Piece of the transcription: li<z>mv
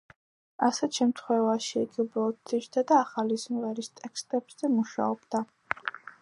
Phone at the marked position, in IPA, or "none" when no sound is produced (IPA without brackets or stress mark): z